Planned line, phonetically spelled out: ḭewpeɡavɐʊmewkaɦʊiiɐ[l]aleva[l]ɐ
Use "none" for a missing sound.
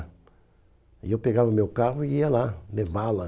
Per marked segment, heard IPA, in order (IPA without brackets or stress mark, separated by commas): l, l